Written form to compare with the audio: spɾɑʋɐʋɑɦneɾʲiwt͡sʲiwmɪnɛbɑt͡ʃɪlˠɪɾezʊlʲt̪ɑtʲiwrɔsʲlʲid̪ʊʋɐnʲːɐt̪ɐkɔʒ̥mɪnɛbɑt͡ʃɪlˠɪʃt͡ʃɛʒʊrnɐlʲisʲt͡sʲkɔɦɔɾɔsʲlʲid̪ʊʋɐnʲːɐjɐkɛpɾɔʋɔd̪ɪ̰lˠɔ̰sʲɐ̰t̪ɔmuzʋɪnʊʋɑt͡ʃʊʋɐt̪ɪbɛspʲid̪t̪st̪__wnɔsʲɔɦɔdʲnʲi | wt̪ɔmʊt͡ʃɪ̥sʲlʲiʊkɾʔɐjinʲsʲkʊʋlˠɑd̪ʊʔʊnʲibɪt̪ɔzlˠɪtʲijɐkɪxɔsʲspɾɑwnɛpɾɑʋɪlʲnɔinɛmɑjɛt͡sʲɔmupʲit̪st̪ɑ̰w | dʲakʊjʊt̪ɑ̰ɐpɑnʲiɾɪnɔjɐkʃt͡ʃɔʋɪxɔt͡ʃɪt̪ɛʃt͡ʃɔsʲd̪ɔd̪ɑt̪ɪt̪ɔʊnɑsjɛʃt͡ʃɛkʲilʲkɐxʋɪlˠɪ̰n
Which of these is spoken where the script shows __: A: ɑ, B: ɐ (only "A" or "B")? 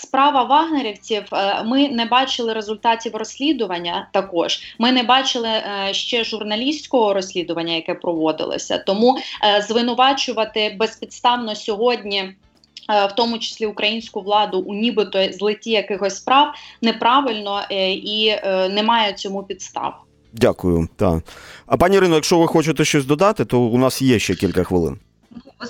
A